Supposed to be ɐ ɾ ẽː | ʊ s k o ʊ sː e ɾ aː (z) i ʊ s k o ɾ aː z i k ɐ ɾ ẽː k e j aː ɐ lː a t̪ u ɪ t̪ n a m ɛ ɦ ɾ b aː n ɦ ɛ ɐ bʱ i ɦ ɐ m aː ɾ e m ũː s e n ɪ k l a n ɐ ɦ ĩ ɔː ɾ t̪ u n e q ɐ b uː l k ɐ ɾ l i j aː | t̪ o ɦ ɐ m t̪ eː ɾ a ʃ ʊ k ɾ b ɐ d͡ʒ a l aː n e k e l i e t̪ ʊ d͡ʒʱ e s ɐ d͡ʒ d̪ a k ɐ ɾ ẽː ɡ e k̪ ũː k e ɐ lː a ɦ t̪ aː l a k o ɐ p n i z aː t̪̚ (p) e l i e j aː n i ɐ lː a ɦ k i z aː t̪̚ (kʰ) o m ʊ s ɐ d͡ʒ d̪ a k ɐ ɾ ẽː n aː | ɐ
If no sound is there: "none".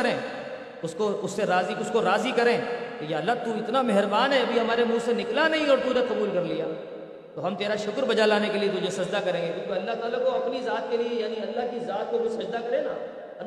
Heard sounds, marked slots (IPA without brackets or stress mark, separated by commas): z, k, k